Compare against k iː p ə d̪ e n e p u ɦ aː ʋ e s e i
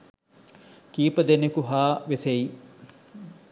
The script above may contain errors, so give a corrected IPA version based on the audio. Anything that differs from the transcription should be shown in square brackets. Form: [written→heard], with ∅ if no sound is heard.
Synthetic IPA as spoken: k iː p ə d̪ e n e [p→k] u ɦ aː ʋ e s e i